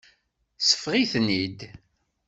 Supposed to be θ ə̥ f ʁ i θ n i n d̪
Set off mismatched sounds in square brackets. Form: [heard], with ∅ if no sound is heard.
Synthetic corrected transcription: [s] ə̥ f ʁ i θ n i [∅] d̪